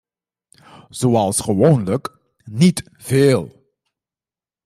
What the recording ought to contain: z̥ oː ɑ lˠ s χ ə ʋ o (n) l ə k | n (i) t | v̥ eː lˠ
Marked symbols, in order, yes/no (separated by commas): yes, yes